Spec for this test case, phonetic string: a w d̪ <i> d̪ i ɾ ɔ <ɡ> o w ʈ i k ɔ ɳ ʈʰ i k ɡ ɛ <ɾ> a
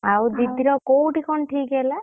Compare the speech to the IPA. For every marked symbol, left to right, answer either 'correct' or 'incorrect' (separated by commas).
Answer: correct, incorrect, incorrect